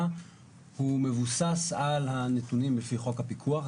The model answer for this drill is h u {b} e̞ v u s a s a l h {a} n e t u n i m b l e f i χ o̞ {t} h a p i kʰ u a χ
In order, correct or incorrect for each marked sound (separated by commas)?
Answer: incorrect, correct, incorrect